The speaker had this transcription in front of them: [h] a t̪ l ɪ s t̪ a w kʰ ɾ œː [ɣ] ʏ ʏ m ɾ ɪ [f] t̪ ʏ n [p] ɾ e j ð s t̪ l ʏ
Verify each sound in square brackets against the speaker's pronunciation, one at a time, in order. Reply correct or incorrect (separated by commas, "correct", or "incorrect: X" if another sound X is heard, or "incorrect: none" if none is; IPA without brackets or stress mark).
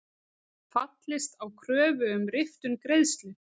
incorrect: f, incorrect: v, correct, incorrect: k